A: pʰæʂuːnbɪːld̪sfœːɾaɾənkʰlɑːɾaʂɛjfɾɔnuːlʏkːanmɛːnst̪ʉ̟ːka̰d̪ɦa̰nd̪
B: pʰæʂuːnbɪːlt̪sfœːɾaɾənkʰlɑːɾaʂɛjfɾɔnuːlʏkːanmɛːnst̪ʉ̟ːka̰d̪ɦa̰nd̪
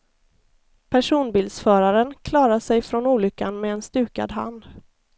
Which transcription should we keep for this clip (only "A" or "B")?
A